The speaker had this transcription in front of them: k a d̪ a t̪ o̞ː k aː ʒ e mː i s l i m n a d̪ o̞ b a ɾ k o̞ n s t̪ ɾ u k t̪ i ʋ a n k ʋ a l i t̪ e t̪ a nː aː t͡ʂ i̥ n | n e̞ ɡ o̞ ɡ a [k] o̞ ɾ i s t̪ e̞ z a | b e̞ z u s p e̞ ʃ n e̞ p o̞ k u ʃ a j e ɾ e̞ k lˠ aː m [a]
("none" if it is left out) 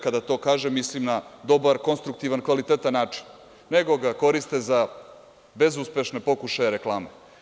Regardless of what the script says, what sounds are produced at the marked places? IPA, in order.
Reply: k, e

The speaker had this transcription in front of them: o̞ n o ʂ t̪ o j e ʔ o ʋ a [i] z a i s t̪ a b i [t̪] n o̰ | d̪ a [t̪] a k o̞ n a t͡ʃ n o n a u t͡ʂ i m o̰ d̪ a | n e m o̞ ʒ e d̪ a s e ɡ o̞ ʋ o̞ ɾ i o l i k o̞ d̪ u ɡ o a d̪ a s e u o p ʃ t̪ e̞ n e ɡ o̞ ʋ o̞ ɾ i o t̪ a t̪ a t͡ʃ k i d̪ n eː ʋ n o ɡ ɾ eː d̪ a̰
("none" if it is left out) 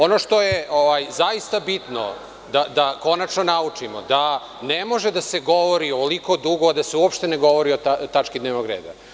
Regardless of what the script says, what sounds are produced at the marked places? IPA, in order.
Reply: j, t̪, d̪

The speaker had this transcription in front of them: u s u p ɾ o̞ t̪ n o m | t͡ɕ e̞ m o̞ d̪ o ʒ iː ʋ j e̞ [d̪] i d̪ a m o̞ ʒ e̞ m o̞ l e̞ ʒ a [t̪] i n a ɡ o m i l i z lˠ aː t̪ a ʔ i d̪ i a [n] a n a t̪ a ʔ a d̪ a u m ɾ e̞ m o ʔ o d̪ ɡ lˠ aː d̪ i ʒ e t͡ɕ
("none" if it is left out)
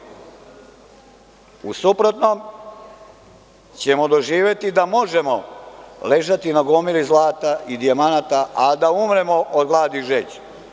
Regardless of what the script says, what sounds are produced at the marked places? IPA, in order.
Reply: t̪, t̪, m

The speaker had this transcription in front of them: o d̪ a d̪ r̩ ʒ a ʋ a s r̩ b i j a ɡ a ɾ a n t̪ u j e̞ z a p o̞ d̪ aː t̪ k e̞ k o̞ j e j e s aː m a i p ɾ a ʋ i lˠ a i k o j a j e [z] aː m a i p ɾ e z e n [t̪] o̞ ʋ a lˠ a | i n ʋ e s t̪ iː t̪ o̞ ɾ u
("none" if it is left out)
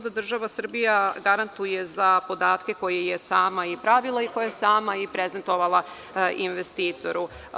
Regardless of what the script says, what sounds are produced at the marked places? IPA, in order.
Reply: s, t̪

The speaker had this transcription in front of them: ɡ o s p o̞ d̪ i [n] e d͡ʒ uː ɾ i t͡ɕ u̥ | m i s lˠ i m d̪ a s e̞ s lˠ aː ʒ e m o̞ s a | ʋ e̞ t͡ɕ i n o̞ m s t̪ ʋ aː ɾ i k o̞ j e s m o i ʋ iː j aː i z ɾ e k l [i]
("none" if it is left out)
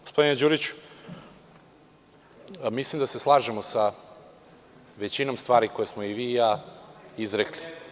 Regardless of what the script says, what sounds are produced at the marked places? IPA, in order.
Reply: n, i

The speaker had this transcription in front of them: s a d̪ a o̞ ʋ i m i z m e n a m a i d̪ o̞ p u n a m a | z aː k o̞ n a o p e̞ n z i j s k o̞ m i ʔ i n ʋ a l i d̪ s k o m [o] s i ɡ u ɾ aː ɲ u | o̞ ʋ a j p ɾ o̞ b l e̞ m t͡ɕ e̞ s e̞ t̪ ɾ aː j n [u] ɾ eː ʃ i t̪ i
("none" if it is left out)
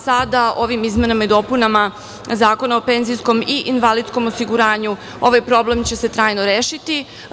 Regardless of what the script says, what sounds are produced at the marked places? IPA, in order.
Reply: o, o

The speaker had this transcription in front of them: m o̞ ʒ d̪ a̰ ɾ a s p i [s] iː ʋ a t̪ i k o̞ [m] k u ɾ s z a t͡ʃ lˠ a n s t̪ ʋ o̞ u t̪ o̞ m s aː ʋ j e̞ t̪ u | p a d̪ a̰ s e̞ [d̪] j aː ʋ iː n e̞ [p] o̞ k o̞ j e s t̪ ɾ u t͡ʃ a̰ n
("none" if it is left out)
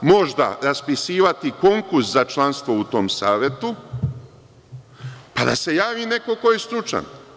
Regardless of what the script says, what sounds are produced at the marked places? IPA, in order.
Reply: s, ŋ, none, k

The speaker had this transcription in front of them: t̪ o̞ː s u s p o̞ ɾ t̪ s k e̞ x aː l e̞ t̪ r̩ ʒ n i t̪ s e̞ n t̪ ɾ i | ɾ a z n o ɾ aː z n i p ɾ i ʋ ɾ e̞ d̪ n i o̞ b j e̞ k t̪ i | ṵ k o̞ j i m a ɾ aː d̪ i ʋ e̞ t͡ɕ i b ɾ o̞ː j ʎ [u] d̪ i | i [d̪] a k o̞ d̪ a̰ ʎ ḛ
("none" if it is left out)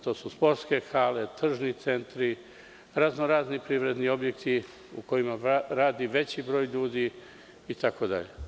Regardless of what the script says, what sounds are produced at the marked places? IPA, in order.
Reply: uː, t̪

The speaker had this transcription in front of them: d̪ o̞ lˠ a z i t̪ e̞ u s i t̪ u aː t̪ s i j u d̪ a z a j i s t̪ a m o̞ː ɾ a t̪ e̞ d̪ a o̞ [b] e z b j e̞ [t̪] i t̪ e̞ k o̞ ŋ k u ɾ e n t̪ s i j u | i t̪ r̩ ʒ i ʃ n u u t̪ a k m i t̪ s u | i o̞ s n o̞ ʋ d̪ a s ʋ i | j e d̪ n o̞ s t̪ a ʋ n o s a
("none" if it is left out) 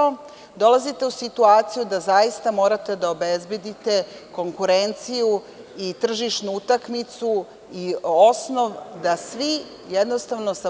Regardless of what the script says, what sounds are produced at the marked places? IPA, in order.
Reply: b, d̪

